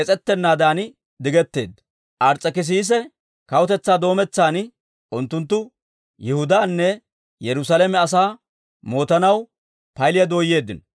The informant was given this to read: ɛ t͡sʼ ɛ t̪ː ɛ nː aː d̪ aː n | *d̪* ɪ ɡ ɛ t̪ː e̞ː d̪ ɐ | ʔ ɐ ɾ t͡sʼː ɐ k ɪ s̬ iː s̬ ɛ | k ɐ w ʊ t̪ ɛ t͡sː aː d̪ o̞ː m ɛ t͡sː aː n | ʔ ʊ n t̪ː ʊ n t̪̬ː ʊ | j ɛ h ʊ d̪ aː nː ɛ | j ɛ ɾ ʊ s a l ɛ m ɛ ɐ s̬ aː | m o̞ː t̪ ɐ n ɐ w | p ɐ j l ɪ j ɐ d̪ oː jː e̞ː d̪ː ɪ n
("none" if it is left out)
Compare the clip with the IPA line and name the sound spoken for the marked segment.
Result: d̪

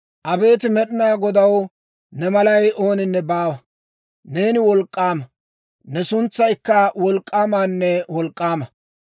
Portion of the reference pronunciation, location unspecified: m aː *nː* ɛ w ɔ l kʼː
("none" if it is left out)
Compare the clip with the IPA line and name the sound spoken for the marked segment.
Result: nː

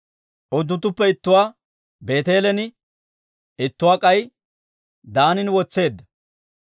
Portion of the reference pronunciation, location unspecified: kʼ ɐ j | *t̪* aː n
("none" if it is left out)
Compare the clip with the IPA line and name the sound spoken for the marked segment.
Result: d̪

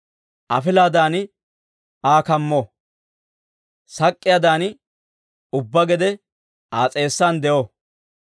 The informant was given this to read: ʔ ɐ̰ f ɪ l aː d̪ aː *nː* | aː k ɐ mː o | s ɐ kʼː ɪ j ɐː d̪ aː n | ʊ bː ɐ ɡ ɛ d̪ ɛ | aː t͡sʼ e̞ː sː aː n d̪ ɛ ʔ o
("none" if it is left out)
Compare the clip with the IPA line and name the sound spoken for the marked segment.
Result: n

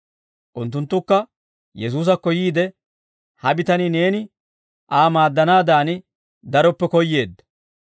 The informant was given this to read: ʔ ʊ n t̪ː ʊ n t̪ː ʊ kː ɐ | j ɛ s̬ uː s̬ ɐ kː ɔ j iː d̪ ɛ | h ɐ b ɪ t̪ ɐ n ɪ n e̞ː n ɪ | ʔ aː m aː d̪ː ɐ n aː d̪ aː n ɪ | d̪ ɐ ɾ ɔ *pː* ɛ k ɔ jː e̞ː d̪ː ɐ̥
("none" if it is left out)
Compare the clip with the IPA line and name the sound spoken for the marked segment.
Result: pː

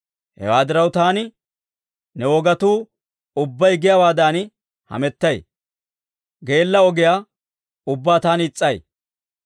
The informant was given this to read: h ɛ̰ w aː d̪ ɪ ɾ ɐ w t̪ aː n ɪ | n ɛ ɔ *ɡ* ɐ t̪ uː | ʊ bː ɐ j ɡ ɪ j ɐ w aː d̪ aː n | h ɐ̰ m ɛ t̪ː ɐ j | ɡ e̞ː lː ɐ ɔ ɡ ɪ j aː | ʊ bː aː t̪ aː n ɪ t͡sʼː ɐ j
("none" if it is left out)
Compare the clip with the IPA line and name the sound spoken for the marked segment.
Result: ɡ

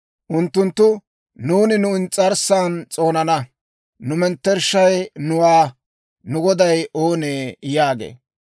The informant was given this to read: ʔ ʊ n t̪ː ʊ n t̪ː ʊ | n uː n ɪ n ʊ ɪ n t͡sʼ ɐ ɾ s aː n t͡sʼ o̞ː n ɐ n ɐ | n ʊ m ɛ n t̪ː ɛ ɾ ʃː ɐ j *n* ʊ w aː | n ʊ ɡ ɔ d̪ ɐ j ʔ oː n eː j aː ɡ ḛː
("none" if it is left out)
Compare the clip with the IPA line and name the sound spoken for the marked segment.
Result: n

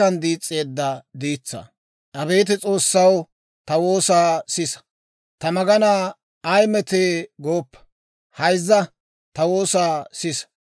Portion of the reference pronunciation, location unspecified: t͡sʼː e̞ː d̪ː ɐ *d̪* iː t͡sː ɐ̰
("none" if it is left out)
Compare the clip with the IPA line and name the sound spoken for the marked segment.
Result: d̪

